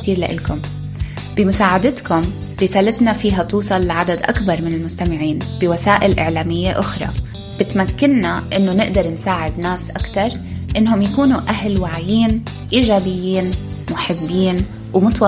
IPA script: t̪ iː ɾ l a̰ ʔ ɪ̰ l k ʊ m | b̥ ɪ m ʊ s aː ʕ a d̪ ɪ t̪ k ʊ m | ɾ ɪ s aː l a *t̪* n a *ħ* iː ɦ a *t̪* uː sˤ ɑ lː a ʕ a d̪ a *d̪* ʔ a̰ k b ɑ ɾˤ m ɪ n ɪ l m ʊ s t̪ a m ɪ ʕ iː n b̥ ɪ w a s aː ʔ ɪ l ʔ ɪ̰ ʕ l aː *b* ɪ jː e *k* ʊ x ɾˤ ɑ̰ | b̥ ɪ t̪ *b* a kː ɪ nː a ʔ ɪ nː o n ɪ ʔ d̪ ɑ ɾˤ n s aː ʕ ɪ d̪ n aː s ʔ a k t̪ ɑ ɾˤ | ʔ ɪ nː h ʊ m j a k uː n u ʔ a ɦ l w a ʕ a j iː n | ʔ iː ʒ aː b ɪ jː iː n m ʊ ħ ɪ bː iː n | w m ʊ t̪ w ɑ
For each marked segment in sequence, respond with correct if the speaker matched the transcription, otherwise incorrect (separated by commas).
correct, incorrect, correct, correct, incorrect, incorrect, incorrect